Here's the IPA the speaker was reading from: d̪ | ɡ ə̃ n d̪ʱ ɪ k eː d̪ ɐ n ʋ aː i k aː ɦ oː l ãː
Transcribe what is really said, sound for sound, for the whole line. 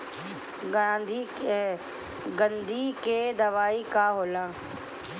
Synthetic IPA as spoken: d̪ | ɡ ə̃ n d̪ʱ i k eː d̪ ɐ ʋ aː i k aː ɦ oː l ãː